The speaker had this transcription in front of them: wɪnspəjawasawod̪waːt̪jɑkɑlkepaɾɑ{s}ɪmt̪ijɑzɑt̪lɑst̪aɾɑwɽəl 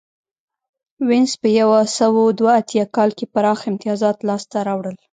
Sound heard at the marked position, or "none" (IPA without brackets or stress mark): x